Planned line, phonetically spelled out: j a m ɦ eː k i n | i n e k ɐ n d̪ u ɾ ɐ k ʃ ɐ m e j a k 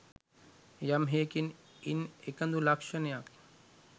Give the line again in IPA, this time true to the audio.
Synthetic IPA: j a m ɦ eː k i n | i n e k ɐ n d̪ u l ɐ k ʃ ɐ n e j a k

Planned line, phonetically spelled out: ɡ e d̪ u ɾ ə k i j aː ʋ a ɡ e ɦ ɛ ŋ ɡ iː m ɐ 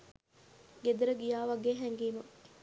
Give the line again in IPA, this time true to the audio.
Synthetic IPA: ɡ e d̪ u ɾ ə ɡ i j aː ʋ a ɡ e ɦ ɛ ŋ ɡ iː m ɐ

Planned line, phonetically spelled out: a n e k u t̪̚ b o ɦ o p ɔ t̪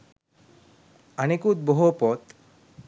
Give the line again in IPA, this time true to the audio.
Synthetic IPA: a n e k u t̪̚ b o ɦ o p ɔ t̪

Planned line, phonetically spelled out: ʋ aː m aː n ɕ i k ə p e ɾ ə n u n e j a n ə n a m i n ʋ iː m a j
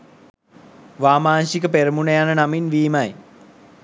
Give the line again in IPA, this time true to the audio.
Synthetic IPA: ʋ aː m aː n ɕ i k ə p e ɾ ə m u n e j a n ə n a m i n ʋ iː m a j

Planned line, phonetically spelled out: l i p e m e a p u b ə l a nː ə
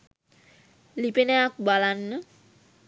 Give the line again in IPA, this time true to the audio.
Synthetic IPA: l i p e n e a k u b a l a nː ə

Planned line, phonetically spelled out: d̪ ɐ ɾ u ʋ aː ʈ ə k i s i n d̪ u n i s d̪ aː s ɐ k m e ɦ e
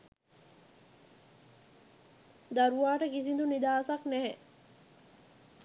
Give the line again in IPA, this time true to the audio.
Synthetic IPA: d̪ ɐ ɾ u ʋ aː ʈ ə k i s i n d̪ u n i d̪ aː s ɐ k n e ɦ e

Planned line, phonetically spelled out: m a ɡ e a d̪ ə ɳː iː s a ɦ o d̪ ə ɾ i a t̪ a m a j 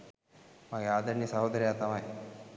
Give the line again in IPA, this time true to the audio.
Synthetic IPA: m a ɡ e a d̪ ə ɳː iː s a ɦ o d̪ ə ɾ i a t̪ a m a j

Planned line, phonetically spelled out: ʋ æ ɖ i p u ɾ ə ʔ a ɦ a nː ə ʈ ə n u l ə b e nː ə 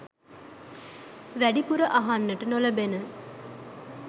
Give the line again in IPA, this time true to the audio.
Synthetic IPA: ʋ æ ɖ i p u ɾ ə ʔ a ɦ a nː ə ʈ ə n o l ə b e n ə

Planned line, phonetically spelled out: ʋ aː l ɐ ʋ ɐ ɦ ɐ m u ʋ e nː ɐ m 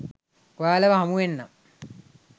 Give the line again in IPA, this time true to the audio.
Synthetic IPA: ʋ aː l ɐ ʋ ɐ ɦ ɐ m u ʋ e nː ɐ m

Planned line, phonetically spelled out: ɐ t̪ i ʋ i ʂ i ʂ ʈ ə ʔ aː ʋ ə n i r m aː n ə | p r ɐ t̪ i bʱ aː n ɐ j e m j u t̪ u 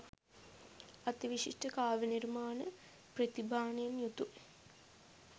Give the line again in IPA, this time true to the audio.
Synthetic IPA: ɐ t̪ i ʋ i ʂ i ʂ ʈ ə k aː ʋ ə n i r m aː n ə | p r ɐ t̪ i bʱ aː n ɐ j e m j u t̪ u

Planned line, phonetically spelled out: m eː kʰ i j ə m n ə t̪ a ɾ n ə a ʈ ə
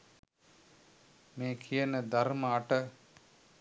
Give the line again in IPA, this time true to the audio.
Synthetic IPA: m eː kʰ i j ə n ə d̪ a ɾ m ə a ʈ ə

